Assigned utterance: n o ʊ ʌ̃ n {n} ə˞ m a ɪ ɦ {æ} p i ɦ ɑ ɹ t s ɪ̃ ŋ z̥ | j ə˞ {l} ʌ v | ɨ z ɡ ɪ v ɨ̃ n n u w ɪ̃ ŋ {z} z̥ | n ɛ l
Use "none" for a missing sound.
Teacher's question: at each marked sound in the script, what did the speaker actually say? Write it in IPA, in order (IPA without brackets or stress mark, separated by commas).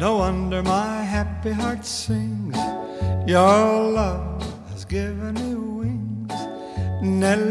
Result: d, æ, l, z